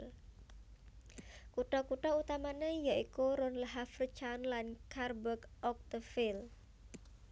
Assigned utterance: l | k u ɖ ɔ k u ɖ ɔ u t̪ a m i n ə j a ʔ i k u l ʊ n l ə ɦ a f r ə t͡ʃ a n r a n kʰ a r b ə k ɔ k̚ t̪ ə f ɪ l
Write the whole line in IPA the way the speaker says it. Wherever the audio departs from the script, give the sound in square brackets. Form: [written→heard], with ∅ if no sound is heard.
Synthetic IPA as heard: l | k u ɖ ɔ k u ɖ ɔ u t̪ a m [i→a] n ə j a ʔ i k u [l→ɾ] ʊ n l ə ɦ a f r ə t͡ʃ a n [r→l] a n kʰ a r b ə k ɔ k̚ t̪ ə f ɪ l